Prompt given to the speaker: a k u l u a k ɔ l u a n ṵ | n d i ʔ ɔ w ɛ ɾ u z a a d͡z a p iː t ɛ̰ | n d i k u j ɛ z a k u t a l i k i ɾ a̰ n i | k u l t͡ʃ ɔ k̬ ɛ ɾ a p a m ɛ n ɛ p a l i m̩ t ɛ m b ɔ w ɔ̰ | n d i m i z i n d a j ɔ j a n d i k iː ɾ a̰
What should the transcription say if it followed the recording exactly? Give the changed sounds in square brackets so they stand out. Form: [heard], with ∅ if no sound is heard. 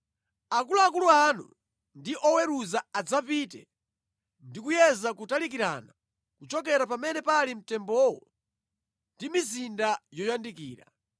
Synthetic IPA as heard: a k u l u a k [u] l u a n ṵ | n d i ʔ ɔ w ɛ ɾ u z a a d͡z a p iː t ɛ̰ | n d i k u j ɛ z a k u t a l i k i ɾ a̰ n [a] | k u [∅] t͡ʃ ɔ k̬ ɛ ɾ a p a m ɛ n ɛ p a l i m̩ t ɛ m b ɔ w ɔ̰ | n d i m i z i n d a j ɔ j a n d i k iː ɾ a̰

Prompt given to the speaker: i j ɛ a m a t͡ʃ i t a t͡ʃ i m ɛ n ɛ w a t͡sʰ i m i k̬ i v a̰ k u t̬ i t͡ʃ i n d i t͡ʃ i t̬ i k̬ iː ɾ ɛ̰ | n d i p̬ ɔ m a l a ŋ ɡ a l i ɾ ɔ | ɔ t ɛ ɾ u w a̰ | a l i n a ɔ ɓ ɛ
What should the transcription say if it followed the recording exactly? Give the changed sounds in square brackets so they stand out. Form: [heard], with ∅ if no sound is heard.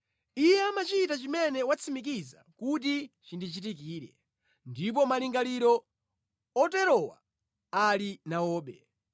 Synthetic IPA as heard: i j ɛ a m a t͡ʃ i t a t͡ʃ i m ɛ n ɛ w a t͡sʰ i m i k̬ i [z] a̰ k u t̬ i t͡ʃ i n d i t͡ʃ i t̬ i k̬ iː ɾ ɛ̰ | n d i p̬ ɔ m a l [i] ŋ ɡ a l i ɾ ɔ | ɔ t ɛ ɾ [ɔ] w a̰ | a l i n a [ɔː] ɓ ɛ

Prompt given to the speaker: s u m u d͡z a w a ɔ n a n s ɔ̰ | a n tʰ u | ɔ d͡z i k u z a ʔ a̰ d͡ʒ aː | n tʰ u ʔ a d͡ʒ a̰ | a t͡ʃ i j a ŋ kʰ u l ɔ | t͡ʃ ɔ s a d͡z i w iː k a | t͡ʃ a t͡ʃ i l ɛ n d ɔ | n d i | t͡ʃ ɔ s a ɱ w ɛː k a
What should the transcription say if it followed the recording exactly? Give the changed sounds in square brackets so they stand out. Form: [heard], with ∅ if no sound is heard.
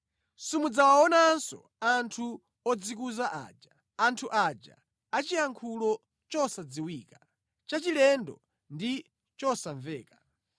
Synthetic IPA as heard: s u m u d͡z a w a ɔ n a n s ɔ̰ | a n tʰ u | ɔ d͡z i k u z a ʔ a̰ d͡ʒ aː | n tʰ u ʔ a d͡ʒ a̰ | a t͡ʃ i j a ŋ kʰ u l ɔ | t͡ʃ ɔ s a d͡z i w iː k a | t͡ʃ a t͡ʃ i l ɛ n d ɔ | n d i | t͡ʃ ɔ s a ɱ [v] ɛː k a

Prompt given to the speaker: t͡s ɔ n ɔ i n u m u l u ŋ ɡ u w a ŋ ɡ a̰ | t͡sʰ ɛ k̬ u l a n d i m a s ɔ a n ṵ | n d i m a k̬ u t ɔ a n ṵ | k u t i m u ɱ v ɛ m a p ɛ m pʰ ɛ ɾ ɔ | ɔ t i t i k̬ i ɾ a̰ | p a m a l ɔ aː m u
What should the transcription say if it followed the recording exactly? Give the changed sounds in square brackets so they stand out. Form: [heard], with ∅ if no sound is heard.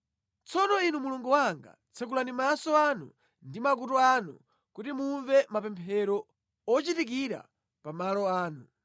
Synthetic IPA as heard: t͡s ɔ n ɔ i n u m u l u ŋ ɡ u w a ŋ ɡ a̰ | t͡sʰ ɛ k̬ u l a n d i m a s ɔ a n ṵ | n d i m a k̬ u t ɔ a n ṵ | k u t i m u ɱ v ɛ m a p ɛ m pʰ ɛ ɾ ɔ | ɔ [t͡ʃ] i t i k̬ i ɾ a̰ | p a m a l ɔ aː [n] u

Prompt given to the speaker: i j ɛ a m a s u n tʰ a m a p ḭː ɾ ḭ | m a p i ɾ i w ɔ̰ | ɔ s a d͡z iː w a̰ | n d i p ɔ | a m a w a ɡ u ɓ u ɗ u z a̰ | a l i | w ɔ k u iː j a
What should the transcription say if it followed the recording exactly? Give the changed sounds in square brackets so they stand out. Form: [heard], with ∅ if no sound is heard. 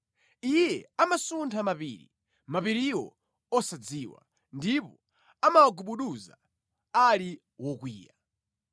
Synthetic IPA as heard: i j ɛ a m a s u n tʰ a m a p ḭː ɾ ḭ | m a p i ɾ i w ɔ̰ | ɔ s a d͡z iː w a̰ | n d i p ɔ | a m a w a ɡ u ɓ u ɗ u z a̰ | a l i | w ɔ k [w] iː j a

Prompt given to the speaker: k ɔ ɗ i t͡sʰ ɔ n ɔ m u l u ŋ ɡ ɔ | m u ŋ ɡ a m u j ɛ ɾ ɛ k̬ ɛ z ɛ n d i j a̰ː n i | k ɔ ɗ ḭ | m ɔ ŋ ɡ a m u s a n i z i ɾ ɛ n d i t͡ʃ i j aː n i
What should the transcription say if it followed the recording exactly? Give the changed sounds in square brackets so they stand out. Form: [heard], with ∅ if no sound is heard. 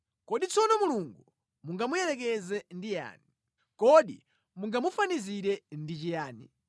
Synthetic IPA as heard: k ɔ ɗ i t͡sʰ ɔ n ɔ m u l u ŋ ɡ [u] | m u ŋ ɡ a m u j ɛ ɾ ɛ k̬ ɛ z ɛ n d i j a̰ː n i | k ɔ ɗ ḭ | m [u] ŋ ɡ a m u [f] a n i z i ɾ ɛ n d i t͡ʃ i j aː n i

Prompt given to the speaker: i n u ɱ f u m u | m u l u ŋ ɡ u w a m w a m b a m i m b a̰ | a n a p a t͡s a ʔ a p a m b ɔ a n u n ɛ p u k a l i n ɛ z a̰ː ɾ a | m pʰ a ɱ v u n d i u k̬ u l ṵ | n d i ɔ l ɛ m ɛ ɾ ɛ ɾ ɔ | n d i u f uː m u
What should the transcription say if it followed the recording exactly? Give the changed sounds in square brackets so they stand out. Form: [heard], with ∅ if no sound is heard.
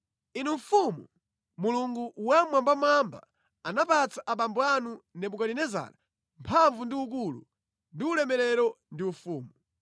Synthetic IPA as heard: i n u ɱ f u m u | m u l u ŋ ɡ u w a m w a m b a m [a] m b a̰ | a n a p a t͡s a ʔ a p a m b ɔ a n u n ɛ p u k a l i n ɛ z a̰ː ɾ a | m pʰ a ɱ v u n d i u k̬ u l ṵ | n d i [u] l ɛ m ɛ ɾ ɛ ɾ ɔ | n d i u f uː m u

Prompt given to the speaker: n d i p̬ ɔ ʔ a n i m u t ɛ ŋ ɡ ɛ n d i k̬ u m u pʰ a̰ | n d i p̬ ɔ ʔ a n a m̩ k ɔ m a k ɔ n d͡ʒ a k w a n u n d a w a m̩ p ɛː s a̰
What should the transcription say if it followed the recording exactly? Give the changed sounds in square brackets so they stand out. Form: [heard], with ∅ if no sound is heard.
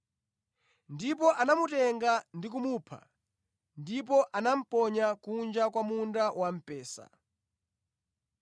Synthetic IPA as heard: n d i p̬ ɔ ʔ a n [a] m u t ɛ ŋ ɡ [a] n d i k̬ u m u pʰ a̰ | n d i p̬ ɔ ʔ a n a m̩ [p] ɔ [ɲ] a k [u] n d͡ʒ a k w a [m] u n d a w a m̩ p ɛː s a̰

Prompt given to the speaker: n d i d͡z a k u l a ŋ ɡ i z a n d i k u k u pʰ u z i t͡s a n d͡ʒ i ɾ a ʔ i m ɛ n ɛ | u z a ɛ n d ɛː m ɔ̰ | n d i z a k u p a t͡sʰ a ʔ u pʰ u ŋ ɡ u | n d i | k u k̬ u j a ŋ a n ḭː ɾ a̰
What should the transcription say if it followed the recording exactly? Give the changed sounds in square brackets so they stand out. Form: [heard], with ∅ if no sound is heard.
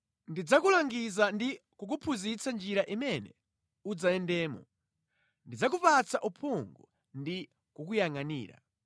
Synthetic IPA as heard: n d i d͡z a k u l a ŋ ɡ i z a n d i k u k u pʰ u z i t͡s a n d͡ʒ i ɾ a ʔ i m ɛ n ɛ | u [d͡z] a ɛ n d ɛː m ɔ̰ | n d i [d͡z] a k u p a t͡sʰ a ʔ u pʰ u ŋ ɡ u | n d i | k u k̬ u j a ŋ a n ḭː ɾ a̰

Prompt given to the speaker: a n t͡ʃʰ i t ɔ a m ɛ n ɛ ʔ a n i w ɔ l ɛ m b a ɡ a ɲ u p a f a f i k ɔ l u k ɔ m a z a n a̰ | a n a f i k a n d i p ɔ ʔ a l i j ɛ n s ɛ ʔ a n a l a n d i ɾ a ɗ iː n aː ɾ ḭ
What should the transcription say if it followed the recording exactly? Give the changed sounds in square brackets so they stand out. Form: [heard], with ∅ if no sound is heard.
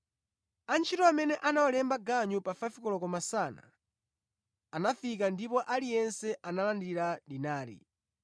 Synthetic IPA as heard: a n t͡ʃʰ i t ɔ a m ɛ n ɛ ʔ a n [a] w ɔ l ɛ m b a ɡ a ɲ u p a f a f i k ɔ l [ɔ] k ɔ m a [s] a n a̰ | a n a f i k a n d i p ɔ ʔ a l i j ɛ n s ɛ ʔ a n a l a n d i ɾ a ɗ [i] n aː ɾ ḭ

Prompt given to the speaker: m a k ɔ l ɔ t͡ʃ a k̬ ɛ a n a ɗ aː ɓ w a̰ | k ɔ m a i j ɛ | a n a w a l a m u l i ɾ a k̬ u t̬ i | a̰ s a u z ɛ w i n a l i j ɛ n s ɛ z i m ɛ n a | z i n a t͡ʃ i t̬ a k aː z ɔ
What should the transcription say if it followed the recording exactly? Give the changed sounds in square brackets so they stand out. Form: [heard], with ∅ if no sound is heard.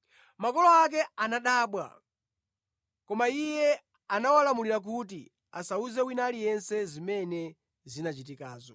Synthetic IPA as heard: m a k ɔ l ɔ [∅] a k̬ ɛ a n a ɗ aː ɓ w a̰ | k ɔ m a i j ɛ | a n a w a l a m u l i ɾ a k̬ u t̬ i | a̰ s a u z ɛ w i n a l i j ɛ n s ɛ z i m ɛ n [ɛ] | z i n a t͡ʃ i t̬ [i] k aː z ɔ

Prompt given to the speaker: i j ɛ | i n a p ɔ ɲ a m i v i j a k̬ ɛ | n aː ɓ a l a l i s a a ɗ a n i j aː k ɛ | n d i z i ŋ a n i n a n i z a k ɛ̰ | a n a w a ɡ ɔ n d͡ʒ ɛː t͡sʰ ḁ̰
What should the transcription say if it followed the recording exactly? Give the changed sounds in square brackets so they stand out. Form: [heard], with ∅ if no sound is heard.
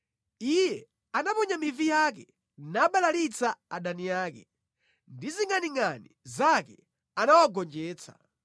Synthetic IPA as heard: i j ɛ | [a] n a p ɔ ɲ a m i v i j a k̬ ɛ | n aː ɓ a l a l i [t͡s] a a ɗ a n i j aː k ɛ | n d i z i ŋ a n i [ŋ] a n i z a k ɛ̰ | a n a w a ɡ ɔ n d͡ʒ ɛː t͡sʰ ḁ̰

